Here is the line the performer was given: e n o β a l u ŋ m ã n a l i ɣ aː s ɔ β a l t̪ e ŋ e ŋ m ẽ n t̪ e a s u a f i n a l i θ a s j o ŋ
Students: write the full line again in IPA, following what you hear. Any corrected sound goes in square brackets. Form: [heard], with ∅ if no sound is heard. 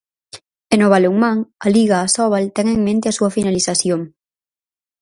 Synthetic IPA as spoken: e n o β a l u ŋ m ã [ŋ] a l i ɣ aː s ɔ β a l t̪ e ŋ e ŋ m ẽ n t̪ e a s u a f i n a l i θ a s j o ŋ